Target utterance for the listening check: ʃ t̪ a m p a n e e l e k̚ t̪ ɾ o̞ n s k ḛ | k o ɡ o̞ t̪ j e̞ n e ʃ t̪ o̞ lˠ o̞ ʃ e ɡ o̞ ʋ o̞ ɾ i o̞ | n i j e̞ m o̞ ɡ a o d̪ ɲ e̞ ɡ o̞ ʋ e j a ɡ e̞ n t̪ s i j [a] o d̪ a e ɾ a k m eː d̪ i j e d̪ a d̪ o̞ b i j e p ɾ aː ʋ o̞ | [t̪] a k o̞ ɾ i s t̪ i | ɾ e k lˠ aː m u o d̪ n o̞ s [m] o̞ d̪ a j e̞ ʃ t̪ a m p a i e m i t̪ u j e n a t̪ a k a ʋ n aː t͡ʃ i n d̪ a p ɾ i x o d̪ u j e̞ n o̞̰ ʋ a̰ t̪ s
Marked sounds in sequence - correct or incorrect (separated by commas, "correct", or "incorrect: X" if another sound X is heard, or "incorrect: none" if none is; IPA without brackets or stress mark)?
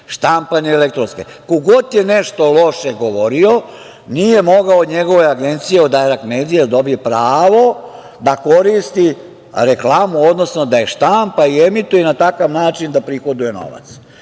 incorrect: e, incorrect: d̪, incorrect: n